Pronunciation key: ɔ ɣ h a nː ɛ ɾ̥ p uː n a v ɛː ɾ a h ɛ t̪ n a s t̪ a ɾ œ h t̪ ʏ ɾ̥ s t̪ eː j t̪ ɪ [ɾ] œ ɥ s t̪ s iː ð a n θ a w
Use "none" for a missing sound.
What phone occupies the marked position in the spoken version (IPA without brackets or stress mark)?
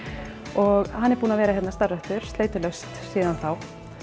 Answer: l